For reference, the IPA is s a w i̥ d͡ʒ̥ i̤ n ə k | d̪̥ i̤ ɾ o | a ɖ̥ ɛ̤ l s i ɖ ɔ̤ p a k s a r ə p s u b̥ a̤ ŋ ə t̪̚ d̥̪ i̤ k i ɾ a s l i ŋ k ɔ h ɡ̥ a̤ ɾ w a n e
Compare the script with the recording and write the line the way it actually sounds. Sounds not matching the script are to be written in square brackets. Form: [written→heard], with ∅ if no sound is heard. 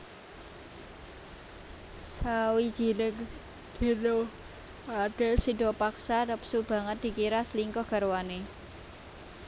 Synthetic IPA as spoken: s a w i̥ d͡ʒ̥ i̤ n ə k | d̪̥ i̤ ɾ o | a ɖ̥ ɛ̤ l s i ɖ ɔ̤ p a k s a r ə p s u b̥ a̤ ŋ ə t̪̚ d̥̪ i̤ k i ɾ a s l i ŋ k ɔ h ɡ̥ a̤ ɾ w a n e